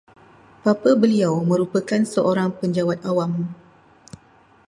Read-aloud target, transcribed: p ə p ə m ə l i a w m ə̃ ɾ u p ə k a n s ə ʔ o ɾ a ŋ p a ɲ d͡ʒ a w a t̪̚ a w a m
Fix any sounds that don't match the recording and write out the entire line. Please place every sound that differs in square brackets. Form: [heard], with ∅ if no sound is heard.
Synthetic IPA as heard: p [a] p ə [b] ə l i a w m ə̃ ɾ u p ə k a n s ə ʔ o ɾ a ŋ p [ə] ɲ d͡ʒ a w a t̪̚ a w a m